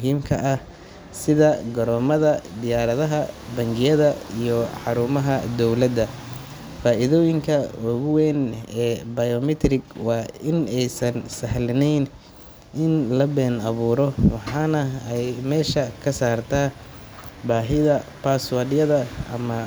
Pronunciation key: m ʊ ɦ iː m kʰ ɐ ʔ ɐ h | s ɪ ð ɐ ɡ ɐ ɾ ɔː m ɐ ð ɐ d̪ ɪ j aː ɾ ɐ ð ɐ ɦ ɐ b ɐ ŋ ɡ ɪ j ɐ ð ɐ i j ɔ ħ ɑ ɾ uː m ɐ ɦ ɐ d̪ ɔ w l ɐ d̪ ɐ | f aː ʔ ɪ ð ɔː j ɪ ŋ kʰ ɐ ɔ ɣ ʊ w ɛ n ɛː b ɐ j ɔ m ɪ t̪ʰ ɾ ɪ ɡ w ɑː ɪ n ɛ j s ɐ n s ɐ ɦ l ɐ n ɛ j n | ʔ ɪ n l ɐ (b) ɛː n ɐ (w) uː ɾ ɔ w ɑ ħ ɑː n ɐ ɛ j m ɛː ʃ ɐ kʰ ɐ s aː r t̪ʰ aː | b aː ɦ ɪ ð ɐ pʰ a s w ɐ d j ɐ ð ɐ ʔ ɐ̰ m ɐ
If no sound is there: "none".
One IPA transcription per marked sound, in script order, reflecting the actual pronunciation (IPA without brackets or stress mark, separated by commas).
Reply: b, β